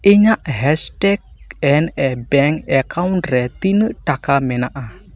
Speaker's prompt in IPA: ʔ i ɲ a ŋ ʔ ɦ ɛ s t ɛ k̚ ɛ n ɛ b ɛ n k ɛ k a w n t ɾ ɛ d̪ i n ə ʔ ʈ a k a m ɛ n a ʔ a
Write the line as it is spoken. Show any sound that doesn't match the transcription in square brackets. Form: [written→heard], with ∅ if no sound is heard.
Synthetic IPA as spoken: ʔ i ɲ a [ŋ→∅] ʔ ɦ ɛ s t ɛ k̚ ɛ n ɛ b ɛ [n→ŋ] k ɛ k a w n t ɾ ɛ [d̪→t̪] i n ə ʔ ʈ a k a m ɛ n a ʔ a